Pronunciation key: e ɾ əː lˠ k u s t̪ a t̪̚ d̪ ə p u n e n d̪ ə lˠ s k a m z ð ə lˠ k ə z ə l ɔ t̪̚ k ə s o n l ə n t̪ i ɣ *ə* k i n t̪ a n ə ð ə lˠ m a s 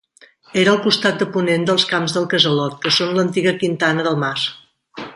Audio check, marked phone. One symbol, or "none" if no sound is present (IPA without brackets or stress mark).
ə